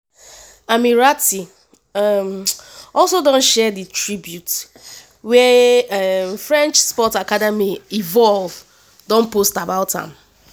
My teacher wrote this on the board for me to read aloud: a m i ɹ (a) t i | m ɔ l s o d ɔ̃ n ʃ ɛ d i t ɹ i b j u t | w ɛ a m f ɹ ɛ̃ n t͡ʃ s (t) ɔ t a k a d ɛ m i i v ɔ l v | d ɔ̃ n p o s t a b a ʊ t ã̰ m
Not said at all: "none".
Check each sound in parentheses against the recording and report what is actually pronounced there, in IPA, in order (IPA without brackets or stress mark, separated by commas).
a, p